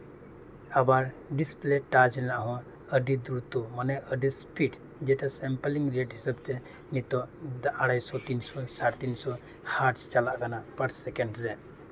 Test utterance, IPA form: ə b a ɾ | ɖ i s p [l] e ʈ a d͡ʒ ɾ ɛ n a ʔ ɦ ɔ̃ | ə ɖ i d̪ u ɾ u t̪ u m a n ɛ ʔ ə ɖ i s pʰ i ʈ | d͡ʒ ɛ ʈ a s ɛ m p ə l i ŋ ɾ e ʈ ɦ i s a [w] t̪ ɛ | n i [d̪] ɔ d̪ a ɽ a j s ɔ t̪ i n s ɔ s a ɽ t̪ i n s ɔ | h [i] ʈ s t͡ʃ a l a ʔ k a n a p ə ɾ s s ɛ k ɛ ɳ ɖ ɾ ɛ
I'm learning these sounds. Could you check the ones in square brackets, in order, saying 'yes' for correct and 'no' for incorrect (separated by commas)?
yes, no, no, no